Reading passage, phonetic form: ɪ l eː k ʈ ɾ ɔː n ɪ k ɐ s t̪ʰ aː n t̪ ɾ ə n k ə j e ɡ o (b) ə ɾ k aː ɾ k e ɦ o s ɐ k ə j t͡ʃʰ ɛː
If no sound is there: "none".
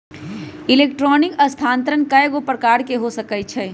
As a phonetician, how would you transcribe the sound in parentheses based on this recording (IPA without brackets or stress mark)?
p